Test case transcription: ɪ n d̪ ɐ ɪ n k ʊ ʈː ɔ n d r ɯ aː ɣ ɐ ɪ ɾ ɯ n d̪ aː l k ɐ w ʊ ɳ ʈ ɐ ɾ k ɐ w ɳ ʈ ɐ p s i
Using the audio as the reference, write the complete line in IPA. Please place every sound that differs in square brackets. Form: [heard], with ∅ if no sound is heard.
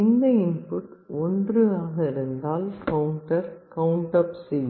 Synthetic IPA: ɪ n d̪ ɐ ɪ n [p] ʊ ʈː ɔ n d r ɯ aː ɣ ɐ ɪ ɾ ɯ n d̪ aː l k ɐ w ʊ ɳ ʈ ɐ ɾ k ɐ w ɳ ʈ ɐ p s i